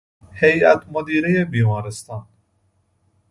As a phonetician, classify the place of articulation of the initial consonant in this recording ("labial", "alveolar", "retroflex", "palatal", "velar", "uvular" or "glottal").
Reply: glottal